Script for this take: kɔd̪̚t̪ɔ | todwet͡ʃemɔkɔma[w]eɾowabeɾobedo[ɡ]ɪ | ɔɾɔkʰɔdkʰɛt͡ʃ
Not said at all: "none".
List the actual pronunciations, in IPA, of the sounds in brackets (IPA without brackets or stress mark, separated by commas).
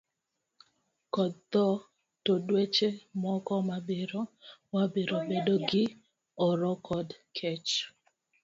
b, ɡ